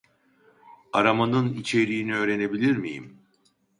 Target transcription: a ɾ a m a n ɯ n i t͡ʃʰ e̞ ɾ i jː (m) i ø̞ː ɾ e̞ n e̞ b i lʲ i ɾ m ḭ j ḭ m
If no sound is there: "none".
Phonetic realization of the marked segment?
n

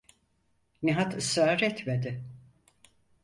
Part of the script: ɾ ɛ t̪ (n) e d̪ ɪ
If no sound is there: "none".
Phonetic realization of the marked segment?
m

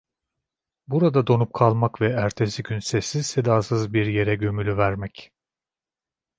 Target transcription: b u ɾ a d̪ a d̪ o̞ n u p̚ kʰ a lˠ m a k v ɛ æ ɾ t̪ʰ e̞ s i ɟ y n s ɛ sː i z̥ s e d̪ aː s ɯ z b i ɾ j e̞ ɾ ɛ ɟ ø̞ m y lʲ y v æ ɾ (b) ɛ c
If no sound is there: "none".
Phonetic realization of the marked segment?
m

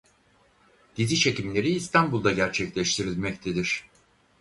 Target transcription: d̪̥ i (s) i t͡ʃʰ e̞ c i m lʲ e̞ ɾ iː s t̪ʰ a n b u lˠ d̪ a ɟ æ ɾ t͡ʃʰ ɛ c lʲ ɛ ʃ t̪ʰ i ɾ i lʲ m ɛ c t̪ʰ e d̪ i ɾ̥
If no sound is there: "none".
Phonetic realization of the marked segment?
z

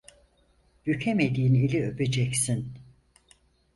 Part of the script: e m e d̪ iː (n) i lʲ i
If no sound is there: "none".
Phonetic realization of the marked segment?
n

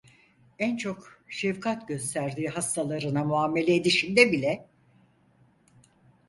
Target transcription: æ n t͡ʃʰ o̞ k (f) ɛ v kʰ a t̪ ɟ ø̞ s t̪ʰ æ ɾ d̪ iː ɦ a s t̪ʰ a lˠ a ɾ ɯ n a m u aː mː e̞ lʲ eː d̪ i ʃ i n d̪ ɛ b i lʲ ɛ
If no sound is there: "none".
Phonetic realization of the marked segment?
ʃ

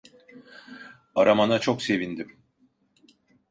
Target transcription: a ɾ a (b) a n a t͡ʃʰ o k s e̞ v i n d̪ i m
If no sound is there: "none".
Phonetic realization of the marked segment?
m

